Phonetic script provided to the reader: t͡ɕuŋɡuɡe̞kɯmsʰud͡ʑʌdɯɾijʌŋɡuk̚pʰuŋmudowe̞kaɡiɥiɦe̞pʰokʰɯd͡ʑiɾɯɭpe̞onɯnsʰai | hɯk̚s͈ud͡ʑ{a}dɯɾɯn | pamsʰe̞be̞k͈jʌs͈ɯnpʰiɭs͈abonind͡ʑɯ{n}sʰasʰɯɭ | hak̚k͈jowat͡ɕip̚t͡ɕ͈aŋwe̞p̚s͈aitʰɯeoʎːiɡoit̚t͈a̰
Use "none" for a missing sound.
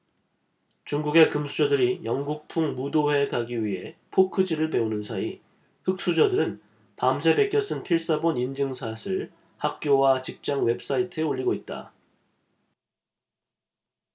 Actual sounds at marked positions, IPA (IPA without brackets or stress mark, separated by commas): ʌ, ŋ